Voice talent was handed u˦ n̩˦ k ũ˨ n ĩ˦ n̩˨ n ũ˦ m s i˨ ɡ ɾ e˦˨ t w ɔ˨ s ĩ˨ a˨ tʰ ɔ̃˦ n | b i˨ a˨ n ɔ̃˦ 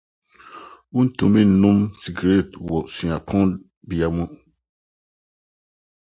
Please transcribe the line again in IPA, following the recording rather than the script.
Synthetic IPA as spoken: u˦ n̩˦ t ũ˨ m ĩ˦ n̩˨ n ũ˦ m s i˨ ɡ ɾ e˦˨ t w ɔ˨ s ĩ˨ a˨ pʰ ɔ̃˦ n | b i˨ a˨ m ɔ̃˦

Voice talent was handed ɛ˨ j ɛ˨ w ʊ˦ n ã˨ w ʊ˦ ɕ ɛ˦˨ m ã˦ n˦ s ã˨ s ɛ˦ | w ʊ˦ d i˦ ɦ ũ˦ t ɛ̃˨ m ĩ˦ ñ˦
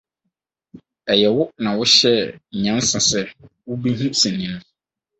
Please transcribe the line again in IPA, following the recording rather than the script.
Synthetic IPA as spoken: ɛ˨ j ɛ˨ w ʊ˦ n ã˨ w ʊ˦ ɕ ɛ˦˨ ɲ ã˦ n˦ s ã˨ s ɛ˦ | w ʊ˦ b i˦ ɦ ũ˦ s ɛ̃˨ n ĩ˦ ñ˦

